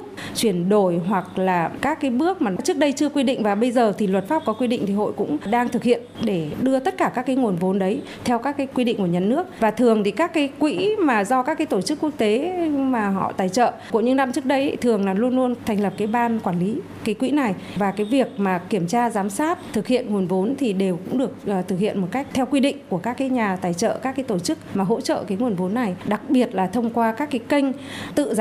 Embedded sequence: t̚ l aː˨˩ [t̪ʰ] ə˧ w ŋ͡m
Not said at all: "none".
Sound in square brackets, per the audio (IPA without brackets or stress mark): t̪ʰ